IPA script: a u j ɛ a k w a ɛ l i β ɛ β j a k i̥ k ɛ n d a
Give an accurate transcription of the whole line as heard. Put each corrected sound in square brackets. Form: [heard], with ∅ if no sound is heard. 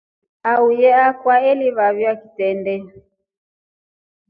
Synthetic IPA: a u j ɛ a k w a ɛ l i β [a] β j a k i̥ [t] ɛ n d [ɛ]

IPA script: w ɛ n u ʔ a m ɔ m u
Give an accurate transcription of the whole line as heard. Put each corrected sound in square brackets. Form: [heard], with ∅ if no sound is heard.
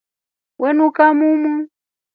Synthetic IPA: w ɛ n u [k] a m [u] m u

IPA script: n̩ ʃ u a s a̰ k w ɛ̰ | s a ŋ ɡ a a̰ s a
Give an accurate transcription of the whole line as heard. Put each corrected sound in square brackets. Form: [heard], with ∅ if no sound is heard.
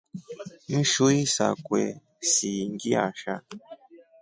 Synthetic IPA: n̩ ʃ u [i] s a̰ k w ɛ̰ | s [i] ŋ ɡ [i] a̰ [ʃ] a

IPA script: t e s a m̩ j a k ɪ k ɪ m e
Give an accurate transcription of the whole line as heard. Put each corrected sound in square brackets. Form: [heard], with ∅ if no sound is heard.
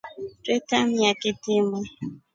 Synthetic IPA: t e [t] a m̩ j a k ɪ [t] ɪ m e

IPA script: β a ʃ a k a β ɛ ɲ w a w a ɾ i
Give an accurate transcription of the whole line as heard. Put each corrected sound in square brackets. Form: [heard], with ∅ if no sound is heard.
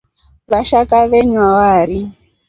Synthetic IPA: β a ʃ a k a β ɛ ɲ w a w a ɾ i

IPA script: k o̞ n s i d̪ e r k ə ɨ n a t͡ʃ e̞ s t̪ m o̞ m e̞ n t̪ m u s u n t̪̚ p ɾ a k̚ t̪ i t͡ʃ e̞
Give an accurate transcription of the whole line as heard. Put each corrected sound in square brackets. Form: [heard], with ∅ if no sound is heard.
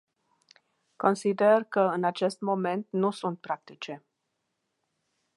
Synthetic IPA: k o̞ n s i d̪ e r k ə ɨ n a t͡ʃ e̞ s t̪ m o̞ m e̞ n t̪ [n] u s u n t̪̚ p ɾ a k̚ t̪ i t͡ʃ e̞

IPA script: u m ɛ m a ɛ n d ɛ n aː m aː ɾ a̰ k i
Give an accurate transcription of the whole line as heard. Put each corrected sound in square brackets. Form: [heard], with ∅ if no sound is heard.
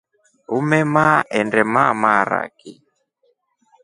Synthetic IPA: u m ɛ m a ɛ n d ɛ [m] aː m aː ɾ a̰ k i

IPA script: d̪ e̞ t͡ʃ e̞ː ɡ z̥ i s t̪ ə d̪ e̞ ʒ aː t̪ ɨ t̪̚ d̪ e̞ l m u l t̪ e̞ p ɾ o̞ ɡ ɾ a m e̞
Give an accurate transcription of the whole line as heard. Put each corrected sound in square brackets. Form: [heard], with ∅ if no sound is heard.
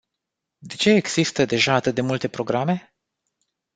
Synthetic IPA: d̪ e̞ t͡ʃ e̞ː ɡ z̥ i s t̪ ə d̪ e̞ ʒ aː t̪ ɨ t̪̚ d̪ e̞ [∅] m u l t̪ e̞ p ɾ o̞ ɡ ɾ a m e̞

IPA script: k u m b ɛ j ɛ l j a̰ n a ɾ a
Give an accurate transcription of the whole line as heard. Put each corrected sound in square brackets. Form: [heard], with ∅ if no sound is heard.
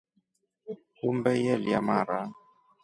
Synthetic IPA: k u m b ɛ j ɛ l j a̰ [m] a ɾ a

